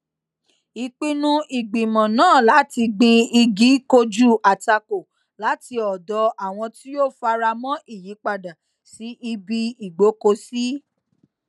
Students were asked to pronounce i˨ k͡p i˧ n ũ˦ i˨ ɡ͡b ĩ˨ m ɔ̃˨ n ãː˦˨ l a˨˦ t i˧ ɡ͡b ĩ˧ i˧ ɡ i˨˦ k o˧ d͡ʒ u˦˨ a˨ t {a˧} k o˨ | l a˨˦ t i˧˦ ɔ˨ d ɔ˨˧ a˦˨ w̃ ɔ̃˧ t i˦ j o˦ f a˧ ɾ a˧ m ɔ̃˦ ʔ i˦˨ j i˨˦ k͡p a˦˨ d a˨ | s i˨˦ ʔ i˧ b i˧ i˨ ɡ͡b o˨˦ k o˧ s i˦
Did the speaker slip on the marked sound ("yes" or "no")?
no